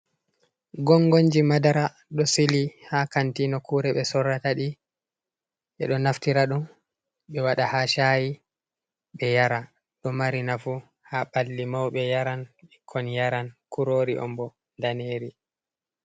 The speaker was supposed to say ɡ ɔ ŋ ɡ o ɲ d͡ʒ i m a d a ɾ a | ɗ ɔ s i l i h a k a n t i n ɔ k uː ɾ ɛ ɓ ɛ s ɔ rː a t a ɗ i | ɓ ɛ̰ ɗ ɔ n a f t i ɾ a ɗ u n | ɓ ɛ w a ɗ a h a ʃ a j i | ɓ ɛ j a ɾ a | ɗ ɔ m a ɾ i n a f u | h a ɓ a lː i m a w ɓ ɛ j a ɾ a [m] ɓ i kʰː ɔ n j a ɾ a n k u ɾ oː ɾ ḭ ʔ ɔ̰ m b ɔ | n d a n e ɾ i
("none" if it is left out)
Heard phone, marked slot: n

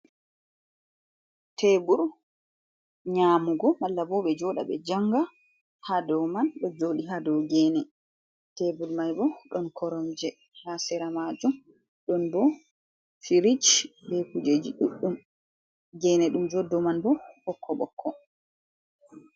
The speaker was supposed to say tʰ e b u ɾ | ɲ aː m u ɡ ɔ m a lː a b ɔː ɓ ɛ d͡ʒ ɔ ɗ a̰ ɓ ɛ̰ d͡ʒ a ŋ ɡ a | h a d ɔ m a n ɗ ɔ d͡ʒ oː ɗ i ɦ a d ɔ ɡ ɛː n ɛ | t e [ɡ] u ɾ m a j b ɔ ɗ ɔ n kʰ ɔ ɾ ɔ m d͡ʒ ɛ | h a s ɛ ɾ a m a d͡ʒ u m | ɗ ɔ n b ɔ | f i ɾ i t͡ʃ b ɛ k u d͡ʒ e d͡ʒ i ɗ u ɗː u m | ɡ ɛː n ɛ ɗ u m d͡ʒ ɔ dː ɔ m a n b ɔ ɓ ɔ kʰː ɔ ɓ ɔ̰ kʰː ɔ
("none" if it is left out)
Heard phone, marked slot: b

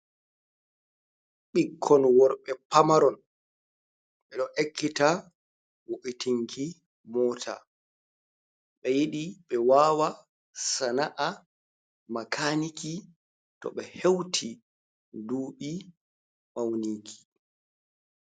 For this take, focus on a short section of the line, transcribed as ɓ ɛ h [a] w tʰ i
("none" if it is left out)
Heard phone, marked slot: e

